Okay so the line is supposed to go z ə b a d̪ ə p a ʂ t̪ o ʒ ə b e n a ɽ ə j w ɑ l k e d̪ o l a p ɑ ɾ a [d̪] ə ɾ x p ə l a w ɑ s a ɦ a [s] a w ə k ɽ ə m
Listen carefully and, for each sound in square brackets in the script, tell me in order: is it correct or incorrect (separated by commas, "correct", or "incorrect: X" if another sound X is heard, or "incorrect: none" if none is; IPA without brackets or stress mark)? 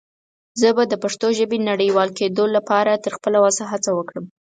incorrect: t̪, incorrect: t͡s